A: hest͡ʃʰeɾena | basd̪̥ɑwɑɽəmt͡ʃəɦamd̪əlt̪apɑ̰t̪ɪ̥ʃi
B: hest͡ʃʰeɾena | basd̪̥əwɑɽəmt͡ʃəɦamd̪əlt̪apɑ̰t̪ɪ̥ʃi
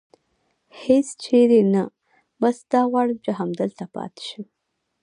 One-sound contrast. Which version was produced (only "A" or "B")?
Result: A